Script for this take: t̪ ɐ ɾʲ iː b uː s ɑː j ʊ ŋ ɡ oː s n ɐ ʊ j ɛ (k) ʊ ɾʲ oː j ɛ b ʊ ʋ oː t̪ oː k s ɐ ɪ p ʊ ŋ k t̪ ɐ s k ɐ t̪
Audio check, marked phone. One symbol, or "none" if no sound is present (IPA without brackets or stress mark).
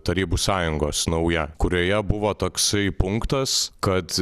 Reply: k